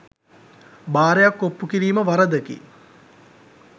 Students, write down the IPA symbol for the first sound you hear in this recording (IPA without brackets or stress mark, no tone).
b